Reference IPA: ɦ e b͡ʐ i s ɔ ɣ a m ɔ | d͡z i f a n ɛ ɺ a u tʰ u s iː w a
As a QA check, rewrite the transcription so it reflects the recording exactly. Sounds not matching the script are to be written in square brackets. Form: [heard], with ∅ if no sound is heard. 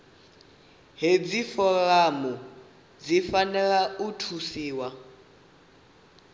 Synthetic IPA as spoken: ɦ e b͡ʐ i [f] ɔ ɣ a m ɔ | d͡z i f a n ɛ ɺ a u tʰ u s iː w a